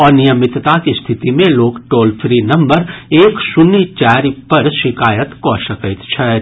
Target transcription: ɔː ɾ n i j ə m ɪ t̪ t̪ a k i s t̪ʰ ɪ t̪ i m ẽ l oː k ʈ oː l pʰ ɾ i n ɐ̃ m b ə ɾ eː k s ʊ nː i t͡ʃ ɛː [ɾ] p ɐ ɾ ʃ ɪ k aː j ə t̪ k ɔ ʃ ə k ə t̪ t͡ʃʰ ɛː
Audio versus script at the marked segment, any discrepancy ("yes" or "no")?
no